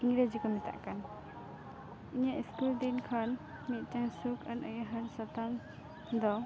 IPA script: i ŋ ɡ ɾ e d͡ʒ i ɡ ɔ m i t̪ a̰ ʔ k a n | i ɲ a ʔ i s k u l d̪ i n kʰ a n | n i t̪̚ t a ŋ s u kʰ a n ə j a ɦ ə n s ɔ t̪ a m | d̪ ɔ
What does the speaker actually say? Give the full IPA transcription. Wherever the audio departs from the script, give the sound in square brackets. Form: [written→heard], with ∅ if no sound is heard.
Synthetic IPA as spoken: i ŋ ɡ ɾ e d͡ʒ i [ɡ→k] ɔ m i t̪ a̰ ʔ k a n | i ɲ a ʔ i s k u l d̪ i n kʰ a n | [n→m] i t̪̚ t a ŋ s u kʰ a n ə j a ɦ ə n s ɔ t̪ a m | d̪ ɔ